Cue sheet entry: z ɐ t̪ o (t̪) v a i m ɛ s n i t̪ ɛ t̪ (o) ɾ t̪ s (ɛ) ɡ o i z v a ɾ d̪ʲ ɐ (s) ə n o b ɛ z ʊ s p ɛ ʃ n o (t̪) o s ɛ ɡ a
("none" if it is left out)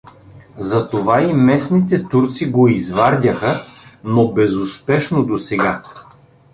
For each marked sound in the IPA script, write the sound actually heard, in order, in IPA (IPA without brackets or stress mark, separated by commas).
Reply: none, u, i, x, d̪